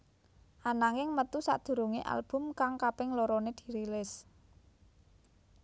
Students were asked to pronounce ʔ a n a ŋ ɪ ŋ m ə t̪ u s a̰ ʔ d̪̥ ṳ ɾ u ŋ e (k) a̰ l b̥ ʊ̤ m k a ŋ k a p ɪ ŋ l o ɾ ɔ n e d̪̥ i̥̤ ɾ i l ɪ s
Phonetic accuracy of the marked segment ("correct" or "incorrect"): incorrect